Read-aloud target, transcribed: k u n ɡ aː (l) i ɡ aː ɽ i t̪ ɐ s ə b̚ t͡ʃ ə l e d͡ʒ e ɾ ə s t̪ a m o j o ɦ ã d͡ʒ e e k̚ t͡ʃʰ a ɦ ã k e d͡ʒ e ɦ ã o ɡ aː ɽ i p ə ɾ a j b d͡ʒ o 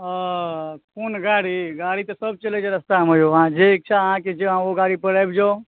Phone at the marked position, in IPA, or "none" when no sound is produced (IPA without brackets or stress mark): ɽ